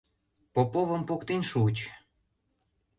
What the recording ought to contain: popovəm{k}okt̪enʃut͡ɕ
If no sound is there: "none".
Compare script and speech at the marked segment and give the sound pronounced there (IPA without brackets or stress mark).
p